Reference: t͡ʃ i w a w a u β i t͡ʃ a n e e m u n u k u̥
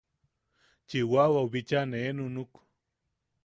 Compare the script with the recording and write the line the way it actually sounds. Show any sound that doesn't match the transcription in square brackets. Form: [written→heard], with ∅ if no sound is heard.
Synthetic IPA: t͡ʃ i w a w a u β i t͡ʃ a n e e [m→n] u n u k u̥